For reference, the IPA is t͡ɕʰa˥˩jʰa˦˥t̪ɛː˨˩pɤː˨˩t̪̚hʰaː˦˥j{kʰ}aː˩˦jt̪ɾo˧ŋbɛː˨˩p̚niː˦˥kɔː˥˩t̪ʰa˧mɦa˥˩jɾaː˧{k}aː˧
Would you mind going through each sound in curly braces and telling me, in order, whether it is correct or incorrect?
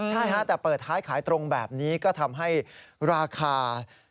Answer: correct, incorrect

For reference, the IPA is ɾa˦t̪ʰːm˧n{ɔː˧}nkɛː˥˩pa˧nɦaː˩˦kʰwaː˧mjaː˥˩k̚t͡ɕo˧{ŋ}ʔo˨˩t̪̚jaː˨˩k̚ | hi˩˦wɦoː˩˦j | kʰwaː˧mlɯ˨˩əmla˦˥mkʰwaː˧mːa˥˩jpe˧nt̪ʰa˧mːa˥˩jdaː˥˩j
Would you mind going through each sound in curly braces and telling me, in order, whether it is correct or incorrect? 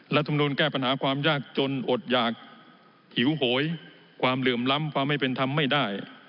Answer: incorrect, incorrect

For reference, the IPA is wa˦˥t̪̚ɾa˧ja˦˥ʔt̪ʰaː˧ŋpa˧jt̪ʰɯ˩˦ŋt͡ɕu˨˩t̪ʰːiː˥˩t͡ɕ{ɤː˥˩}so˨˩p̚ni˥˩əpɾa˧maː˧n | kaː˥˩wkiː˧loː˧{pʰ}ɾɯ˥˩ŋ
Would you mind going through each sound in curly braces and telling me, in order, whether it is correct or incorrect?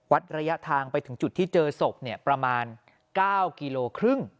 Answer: incorrect, incorrect

